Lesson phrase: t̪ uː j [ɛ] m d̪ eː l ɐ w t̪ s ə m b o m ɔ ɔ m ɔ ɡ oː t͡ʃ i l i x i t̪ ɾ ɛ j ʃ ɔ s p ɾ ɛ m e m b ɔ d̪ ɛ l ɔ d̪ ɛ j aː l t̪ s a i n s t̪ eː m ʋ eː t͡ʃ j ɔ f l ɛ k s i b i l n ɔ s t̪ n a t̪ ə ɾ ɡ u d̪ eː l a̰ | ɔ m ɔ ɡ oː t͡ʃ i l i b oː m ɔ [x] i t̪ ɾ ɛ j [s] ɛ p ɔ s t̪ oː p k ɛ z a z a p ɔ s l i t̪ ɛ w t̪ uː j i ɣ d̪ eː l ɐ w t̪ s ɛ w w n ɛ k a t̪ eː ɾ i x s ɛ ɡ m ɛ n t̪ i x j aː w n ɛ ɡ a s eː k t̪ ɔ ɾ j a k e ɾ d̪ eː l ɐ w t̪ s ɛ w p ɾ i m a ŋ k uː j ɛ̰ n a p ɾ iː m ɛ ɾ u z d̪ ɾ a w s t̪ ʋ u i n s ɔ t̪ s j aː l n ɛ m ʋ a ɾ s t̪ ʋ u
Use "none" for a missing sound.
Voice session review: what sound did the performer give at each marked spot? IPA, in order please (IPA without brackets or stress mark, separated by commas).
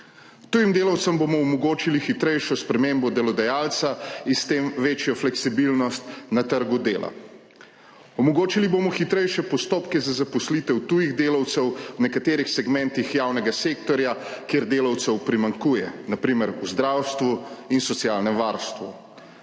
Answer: i, x, ʃ